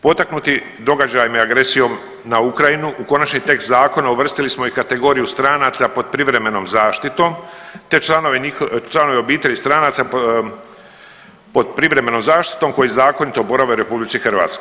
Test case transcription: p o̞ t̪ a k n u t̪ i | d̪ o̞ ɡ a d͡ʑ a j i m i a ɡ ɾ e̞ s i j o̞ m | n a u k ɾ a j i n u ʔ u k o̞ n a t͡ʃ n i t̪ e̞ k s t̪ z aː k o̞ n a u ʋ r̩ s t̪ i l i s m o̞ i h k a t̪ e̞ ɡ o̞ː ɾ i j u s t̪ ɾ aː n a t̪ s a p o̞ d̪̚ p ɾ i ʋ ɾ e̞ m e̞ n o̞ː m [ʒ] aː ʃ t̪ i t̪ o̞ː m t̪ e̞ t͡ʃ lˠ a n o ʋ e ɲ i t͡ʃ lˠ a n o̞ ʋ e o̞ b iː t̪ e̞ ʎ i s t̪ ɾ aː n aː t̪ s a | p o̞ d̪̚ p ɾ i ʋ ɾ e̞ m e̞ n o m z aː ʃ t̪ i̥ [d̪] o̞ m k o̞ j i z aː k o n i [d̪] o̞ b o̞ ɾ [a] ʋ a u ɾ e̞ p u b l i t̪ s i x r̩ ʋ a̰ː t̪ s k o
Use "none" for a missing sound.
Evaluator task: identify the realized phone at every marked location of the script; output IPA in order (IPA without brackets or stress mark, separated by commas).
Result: z, t̪, t̪, a